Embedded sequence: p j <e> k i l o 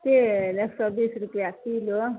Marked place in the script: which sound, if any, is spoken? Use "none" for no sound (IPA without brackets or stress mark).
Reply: a